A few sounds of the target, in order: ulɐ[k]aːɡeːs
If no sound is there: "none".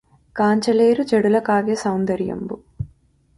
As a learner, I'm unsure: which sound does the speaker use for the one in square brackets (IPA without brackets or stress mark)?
k